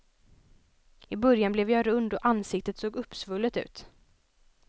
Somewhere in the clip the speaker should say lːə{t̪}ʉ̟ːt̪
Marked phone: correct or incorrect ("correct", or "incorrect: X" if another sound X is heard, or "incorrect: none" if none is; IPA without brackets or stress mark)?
correct